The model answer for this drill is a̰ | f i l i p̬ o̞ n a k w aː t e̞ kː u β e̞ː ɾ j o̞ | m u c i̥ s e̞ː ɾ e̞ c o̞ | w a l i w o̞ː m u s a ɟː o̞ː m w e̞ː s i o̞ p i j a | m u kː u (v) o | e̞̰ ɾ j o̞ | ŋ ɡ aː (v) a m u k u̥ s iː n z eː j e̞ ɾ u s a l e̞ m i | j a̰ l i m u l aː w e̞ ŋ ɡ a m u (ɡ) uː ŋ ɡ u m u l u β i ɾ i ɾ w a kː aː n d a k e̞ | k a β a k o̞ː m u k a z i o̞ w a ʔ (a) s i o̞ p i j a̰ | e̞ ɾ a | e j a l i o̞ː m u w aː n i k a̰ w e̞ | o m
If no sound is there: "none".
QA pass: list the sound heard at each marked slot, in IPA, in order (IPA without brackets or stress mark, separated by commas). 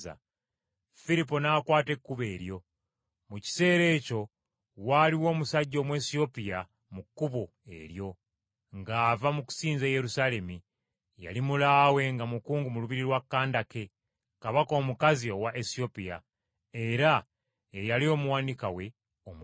β, v, k, e